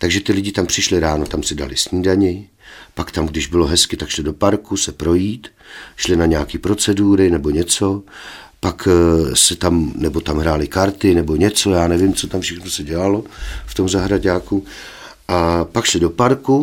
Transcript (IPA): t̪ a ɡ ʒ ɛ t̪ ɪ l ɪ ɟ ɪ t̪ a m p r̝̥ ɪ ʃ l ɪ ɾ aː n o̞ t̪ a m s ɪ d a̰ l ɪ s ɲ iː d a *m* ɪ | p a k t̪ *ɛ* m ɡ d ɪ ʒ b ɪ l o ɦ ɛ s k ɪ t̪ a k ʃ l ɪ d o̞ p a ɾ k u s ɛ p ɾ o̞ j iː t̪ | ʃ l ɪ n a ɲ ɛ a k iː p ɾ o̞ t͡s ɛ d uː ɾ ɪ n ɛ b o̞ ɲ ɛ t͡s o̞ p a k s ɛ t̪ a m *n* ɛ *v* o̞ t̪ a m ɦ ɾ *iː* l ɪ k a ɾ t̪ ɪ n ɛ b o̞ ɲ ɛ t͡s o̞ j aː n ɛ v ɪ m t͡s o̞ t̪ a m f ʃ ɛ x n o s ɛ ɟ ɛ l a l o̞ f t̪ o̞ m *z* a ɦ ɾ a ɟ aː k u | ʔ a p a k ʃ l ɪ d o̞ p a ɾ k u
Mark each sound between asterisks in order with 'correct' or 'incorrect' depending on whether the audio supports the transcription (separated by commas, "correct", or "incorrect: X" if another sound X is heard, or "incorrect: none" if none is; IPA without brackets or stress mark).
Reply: incorrect: ɲ, incorrect: a, correct, incorrect: b, incorrect: aː, correct